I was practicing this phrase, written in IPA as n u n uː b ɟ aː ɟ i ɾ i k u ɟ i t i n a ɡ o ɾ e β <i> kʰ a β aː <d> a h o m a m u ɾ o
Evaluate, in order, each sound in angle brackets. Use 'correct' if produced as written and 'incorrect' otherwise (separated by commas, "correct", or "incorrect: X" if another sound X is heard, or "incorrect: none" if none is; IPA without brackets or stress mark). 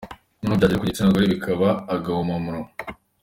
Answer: correct, incorrect: ɡ